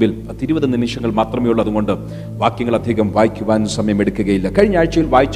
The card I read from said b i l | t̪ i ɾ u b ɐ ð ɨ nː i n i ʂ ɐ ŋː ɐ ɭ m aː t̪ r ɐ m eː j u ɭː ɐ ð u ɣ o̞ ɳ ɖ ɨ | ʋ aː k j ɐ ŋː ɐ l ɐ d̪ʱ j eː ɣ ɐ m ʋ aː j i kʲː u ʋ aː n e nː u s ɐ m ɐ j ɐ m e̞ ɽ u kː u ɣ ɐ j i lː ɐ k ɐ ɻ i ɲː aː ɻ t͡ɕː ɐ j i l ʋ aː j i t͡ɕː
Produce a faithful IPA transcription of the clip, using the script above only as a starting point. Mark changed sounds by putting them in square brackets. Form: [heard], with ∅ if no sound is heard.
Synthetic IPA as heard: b i l | t̪ i ɾ u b ɐ ð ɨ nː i n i ʂ ɐ ŋː ɐ ɭ m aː t̪ r ɐ m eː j u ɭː ɐ ð u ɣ o̞ ɳ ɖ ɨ | ʋ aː k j ɐ ŋː ɐ [ɭ] ɐ d̪ʱ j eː ɣ ɐ m ʋ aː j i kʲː u ʋ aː n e nː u s ɐ m ɐ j ɐ m e̞ ɽ u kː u ɣ ɐ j i lː ɐ k ɐ ɻ i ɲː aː ɻ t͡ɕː ɐ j i l ʋ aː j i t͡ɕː